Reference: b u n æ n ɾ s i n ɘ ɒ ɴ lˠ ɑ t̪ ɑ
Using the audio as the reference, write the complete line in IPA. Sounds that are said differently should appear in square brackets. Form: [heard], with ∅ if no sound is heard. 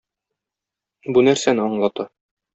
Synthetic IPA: b u n æ [∅] ɾ s [æ] n ɘ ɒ ɴ lˠ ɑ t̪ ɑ